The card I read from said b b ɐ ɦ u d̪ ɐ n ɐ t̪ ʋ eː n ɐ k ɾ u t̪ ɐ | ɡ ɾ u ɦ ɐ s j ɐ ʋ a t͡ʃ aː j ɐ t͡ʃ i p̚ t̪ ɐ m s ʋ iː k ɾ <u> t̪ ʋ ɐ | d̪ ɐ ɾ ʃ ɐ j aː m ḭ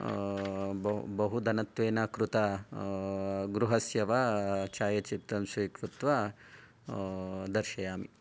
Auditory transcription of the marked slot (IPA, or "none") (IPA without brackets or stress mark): u